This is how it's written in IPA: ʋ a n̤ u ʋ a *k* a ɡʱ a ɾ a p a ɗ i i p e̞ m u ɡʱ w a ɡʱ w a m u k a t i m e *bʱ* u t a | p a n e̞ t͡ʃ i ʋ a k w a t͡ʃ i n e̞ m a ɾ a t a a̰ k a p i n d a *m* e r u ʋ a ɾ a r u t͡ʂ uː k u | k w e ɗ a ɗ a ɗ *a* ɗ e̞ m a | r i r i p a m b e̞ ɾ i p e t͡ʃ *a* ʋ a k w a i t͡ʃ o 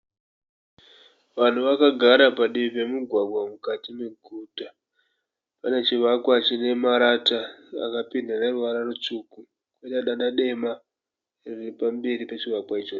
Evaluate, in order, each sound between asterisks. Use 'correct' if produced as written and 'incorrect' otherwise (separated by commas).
correct, incorrect, incorrect, correct, incorrect